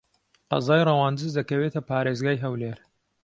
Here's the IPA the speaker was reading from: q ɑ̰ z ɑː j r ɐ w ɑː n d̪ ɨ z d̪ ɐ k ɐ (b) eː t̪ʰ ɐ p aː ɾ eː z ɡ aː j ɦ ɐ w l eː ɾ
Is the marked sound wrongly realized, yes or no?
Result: yes